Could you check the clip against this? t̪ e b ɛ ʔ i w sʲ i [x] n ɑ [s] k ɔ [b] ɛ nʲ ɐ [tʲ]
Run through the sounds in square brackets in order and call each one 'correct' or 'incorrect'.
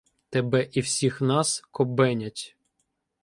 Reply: correct, correct, correct, correct

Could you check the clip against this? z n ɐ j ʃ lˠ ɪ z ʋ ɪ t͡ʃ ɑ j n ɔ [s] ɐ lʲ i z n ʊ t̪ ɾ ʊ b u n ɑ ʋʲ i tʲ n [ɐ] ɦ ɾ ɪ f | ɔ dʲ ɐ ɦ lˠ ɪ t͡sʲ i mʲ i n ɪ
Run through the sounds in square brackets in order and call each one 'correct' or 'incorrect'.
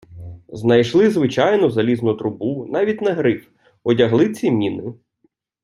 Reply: incorrect, correct

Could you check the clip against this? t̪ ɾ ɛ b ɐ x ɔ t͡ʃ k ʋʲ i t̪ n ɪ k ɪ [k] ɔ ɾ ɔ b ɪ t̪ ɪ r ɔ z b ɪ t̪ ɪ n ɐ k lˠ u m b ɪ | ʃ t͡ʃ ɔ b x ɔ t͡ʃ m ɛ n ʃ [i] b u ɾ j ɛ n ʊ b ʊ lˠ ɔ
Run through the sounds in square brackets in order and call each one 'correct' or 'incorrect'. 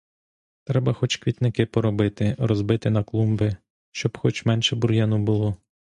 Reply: incorrect, incorrect

